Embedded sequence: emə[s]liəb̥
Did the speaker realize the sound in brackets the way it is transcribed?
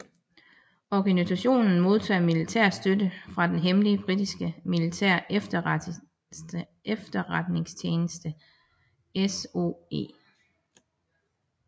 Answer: no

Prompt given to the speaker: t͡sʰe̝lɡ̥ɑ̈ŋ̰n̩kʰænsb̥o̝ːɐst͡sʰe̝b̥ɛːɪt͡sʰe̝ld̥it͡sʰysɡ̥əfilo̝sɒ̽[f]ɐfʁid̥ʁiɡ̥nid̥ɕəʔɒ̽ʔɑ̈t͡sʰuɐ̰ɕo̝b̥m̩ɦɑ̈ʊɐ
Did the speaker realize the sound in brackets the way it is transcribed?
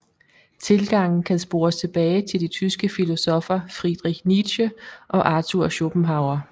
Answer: yes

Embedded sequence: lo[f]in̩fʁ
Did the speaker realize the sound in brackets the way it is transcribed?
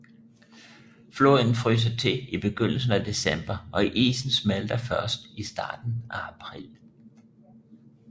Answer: no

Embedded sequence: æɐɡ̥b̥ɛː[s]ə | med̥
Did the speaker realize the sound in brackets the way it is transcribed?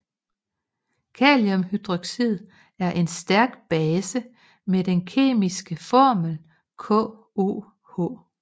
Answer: yes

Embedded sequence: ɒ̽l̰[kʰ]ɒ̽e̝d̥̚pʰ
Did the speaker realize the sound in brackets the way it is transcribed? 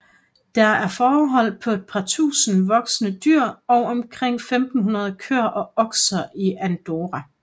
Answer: no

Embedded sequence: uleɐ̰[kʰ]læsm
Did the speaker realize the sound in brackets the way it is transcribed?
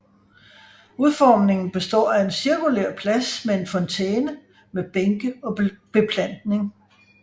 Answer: no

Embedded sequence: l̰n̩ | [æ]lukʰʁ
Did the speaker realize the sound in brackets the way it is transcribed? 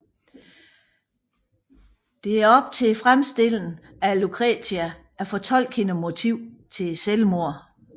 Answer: yes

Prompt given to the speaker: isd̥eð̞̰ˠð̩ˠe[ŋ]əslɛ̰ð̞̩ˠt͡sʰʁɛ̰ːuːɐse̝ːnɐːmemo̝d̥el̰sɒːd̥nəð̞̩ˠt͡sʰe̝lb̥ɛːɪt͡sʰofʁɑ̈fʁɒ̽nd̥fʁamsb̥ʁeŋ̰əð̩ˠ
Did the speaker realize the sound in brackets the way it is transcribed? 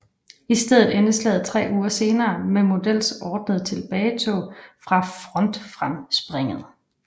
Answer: no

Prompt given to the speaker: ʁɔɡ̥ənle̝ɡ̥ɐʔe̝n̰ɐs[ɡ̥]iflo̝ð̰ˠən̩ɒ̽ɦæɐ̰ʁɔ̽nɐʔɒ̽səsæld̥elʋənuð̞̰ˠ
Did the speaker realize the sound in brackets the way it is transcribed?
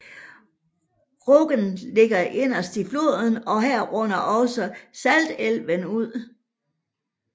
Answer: no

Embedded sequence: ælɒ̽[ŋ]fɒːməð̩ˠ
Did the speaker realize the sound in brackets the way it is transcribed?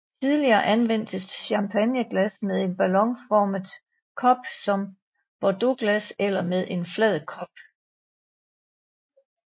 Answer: yes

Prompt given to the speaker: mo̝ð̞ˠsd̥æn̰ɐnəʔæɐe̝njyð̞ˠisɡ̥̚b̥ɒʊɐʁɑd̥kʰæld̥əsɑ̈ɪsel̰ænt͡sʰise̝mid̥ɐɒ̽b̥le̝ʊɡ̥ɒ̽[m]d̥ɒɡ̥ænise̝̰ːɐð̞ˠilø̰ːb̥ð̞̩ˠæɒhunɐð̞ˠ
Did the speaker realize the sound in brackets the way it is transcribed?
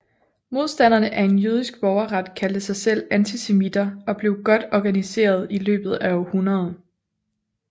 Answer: no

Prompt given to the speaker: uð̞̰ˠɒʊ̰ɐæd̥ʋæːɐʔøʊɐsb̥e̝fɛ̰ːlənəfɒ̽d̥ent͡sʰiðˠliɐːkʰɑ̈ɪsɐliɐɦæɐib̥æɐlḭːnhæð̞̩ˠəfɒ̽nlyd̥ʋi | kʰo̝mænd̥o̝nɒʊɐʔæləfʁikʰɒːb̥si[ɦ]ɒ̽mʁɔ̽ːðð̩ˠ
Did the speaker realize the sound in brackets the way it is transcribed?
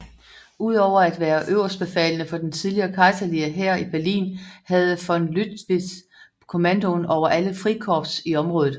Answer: no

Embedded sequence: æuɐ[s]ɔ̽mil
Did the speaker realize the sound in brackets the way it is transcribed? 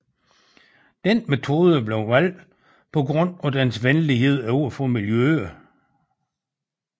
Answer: no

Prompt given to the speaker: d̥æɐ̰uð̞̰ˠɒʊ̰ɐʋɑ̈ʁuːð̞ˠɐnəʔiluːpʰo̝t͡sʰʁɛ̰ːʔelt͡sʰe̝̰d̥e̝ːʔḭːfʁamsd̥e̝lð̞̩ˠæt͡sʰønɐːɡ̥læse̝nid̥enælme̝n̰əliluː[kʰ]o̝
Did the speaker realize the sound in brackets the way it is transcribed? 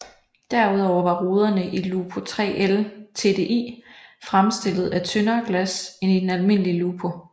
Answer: no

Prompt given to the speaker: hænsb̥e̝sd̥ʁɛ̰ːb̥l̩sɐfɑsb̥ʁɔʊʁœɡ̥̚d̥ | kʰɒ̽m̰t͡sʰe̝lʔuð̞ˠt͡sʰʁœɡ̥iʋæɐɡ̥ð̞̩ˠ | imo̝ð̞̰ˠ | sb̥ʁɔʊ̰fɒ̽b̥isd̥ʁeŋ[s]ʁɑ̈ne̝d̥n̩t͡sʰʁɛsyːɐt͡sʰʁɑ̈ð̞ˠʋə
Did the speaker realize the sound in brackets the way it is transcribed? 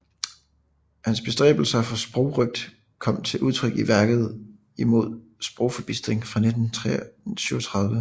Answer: no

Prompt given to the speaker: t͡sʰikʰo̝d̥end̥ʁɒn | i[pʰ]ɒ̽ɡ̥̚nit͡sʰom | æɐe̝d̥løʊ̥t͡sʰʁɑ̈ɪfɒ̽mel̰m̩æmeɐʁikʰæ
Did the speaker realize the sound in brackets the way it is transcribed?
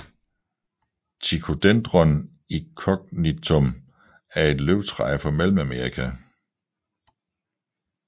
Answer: no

